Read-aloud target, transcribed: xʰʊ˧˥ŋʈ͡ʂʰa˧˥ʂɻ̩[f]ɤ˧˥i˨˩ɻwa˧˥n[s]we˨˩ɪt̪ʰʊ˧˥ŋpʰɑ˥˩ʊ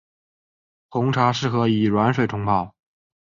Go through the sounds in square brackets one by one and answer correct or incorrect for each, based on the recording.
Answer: incorrect: x, incorrect: ʂ

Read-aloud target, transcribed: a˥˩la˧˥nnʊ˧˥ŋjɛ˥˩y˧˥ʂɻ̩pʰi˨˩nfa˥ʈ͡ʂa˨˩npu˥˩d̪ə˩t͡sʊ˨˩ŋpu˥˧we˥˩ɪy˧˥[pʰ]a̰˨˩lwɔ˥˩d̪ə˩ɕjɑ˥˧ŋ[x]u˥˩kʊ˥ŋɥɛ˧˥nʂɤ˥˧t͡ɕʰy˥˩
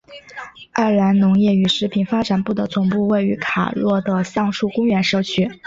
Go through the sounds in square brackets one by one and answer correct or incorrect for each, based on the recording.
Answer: incorrect: kʰ, incorrect: ʂ

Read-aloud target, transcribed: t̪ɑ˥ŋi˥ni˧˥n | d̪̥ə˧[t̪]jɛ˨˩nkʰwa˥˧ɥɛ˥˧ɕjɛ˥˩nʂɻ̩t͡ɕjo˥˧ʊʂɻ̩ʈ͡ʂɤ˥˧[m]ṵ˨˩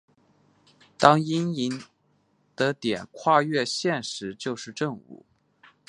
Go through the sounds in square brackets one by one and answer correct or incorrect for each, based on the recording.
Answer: correct, incorrect: ŋ

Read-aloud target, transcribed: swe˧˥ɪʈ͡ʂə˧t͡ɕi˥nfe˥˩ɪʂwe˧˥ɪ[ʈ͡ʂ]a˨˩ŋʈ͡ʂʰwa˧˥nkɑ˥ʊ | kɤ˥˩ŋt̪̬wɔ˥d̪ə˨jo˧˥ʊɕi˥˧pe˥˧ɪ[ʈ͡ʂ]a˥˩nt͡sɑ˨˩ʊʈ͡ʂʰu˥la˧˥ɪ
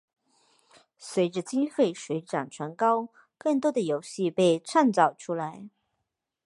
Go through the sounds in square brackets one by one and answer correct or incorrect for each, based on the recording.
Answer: correct, incorrect: ʈ͡ʂʰ

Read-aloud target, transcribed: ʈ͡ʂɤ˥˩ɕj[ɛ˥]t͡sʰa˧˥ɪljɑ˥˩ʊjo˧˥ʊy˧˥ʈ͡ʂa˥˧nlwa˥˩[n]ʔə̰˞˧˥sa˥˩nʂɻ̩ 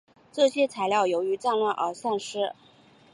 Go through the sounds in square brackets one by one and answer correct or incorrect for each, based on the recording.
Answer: correct, correct

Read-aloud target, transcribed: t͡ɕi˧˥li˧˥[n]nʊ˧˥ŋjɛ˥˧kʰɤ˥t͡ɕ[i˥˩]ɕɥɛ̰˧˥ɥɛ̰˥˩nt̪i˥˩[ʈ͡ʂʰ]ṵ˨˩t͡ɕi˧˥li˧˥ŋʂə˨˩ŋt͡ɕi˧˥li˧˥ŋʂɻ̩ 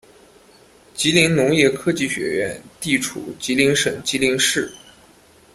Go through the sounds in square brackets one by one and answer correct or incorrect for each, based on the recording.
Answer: incorrect: ŋ, correct, correct

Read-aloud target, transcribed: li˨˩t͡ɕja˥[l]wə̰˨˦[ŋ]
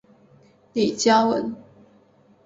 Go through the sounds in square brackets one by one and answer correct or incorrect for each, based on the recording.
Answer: incorrect: none, incorrect: n

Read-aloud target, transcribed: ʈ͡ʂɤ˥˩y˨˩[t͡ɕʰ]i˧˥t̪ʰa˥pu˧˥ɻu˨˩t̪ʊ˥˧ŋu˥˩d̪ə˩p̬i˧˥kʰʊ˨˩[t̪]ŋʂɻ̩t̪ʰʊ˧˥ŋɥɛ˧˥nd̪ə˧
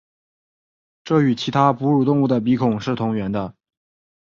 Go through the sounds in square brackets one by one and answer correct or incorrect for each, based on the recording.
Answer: correct, incorrect: none

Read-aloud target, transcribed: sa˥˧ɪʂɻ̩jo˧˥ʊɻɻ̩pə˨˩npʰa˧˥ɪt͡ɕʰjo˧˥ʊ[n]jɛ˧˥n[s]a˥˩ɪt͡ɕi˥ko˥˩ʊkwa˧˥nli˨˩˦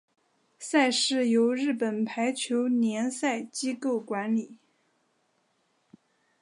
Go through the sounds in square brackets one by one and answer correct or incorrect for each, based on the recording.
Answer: correct, correct

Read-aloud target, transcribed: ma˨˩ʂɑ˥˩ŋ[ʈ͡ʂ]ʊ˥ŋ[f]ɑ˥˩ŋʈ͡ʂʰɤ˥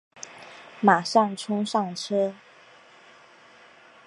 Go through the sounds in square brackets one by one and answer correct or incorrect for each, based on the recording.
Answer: incorrect: ʈ͡ʂʰ, incorrect: ʂ

